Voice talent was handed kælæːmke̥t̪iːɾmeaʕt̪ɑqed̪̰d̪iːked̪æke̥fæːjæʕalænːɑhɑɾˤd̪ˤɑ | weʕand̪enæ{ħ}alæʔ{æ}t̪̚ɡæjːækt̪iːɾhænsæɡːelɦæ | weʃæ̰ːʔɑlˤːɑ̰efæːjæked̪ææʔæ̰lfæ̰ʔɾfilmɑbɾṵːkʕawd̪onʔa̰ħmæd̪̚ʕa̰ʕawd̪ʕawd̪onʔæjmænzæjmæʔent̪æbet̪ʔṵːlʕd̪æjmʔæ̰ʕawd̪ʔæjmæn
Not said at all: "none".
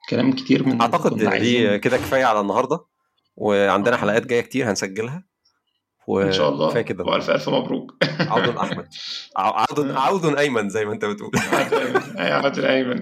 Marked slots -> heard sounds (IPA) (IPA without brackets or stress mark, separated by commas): ħ, æː